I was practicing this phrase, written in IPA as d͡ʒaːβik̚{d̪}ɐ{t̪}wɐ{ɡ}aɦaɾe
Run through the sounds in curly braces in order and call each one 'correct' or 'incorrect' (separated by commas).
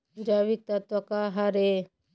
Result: incorrect, correct, incorrect